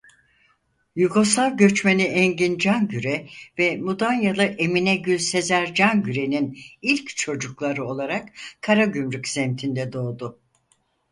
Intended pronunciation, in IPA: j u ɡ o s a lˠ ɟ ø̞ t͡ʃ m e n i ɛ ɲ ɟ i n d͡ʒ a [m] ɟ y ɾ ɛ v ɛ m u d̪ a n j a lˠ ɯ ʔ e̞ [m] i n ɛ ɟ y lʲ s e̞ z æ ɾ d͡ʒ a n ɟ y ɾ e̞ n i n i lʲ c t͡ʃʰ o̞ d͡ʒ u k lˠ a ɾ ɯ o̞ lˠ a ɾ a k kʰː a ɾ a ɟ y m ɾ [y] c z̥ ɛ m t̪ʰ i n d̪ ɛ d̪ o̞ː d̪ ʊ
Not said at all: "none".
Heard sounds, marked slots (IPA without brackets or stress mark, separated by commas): n, m, y